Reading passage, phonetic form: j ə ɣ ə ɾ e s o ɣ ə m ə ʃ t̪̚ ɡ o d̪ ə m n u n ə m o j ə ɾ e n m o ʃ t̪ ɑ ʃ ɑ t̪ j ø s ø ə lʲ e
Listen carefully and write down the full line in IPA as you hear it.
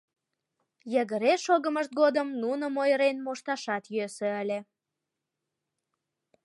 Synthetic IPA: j ə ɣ ə ɾ e ʃ o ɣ ə m ə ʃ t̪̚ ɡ o d̪ ə m n u n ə m o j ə ɾ e n m o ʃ t̪ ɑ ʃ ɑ t̪ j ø s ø ə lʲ e